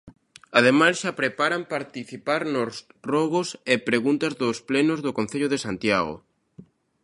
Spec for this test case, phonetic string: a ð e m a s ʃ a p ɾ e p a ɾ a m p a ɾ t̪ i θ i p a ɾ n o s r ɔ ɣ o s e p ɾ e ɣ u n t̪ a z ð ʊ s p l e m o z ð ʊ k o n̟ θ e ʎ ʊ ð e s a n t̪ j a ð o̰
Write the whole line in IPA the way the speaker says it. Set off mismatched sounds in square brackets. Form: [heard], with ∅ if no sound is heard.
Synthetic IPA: a ð e m a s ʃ a p ɾ e p a ɾ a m p a ɾ t̪ i θ i p a ɾ n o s r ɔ ɣ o s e p ɾ e ɣ u n t̪ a z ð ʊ s p l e [n] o z ð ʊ k o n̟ θ e ʎ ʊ ð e s a n t̪ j a [ɣ] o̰